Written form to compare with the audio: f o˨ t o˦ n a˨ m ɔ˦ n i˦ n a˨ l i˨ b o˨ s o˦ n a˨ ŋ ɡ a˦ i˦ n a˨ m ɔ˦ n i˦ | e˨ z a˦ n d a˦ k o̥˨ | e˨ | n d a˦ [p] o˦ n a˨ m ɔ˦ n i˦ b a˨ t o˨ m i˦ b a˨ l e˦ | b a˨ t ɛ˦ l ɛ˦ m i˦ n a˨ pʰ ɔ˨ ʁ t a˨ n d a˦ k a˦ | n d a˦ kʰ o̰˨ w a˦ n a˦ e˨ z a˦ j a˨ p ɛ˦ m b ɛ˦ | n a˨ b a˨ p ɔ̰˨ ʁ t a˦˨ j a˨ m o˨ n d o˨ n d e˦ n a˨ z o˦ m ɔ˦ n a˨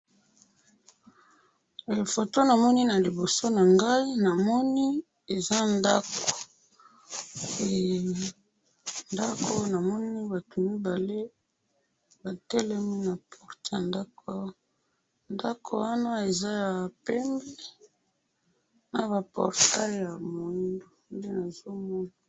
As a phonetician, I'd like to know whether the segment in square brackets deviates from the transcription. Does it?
yes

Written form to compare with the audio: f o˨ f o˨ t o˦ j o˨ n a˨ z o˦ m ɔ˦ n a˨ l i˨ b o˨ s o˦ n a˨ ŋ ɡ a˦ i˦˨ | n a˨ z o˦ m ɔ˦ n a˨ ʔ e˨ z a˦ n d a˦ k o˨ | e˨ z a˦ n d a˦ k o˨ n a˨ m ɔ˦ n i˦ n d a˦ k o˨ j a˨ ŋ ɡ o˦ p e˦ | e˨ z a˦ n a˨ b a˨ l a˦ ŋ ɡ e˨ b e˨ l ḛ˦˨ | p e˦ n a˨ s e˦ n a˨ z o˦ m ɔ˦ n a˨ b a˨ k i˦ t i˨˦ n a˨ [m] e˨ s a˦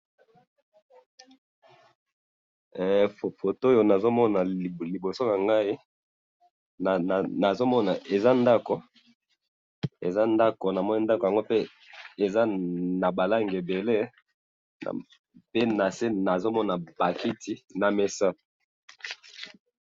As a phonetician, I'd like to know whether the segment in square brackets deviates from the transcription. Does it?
no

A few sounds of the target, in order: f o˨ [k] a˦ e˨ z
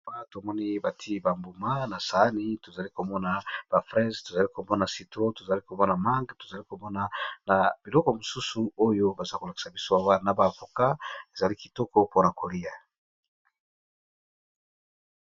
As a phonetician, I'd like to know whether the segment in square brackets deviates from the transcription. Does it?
no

